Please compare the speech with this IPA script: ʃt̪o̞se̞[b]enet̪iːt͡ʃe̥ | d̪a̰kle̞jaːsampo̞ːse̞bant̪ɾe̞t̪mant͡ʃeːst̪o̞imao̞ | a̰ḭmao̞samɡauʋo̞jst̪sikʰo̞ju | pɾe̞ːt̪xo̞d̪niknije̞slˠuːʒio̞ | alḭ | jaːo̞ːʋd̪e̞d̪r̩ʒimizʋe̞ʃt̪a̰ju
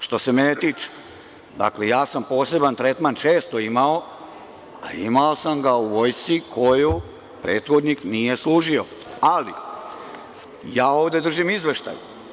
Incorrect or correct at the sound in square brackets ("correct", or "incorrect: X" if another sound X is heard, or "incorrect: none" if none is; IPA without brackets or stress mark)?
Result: incorrect: m